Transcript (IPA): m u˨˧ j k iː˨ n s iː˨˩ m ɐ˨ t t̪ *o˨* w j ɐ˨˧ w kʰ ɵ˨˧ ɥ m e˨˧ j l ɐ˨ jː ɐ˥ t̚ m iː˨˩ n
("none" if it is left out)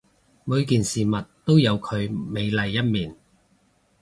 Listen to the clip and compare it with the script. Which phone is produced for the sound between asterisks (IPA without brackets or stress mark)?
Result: o˥